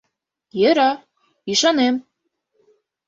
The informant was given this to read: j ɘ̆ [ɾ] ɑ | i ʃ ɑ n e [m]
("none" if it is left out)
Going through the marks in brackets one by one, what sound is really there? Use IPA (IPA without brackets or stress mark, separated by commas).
ɾ, m